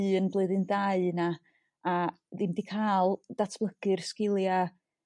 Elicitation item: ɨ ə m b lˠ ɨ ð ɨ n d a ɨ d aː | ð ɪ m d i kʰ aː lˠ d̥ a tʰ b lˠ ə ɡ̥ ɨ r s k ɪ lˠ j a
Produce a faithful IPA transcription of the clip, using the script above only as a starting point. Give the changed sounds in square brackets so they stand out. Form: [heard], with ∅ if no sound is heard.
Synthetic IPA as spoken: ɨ ə [n] b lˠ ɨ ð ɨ n d a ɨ [n] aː | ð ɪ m d i kʰ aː lˠ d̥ a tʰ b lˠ ə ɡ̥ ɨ r s k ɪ lˠ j a